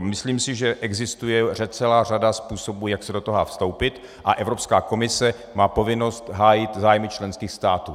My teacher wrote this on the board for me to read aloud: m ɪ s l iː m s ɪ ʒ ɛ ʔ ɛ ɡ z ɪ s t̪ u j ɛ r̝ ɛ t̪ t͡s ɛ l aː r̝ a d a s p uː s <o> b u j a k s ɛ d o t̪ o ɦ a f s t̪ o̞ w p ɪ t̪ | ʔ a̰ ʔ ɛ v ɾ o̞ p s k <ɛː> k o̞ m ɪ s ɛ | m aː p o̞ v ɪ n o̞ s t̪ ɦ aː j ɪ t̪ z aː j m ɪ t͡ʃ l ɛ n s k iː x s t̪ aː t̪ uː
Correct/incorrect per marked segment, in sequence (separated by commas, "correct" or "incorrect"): correct, incorrect